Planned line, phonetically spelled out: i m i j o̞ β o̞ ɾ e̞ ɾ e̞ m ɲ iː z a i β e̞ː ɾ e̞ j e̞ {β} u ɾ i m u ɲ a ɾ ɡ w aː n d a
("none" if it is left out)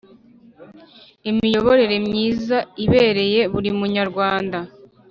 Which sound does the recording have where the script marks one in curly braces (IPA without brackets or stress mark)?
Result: β